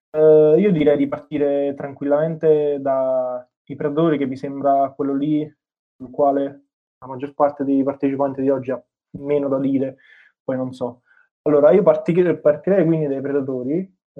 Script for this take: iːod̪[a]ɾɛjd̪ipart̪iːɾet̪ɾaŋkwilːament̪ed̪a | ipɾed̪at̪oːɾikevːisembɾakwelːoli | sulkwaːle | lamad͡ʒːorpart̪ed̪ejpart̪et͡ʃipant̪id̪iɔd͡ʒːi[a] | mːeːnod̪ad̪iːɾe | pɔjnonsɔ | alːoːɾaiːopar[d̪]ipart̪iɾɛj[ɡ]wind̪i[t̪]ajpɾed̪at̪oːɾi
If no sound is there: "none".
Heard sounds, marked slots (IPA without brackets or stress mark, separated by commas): i, a, t̪, k, d̪